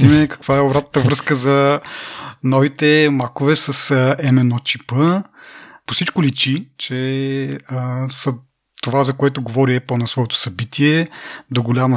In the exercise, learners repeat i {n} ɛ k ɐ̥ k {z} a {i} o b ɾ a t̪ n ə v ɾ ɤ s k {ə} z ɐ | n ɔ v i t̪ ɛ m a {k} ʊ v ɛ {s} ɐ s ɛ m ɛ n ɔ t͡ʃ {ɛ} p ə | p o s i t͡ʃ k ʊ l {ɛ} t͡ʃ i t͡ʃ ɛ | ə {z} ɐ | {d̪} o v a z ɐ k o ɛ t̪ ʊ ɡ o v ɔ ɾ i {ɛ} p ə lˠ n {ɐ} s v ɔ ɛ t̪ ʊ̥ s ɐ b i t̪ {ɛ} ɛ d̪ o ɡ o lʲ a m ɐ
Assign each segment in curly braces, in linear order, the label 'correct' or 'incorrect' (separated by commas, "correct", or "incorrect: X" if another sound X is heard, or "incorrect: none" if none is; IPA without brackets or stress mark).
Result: incorrect: m, incorrect: v, incorrect: ɛ, correct, correct, correct, incorrect: i, incorrect: i, incorrect: s, incorrect: t̪, correct, correct, incorrect: i